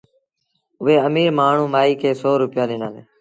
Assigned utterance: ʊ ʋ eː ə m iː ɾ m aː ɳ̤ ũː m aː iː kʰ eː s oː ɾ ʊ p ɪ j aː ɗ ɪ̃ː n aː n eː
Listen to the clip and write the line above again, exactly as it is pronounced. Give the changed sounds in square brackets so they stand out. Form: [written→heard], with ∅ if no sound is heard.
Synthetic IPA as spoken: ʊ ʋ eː ə m iː ɾ m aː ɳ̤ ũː m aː iː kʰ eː s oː ɾ ʊ p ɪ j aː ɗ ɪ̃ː n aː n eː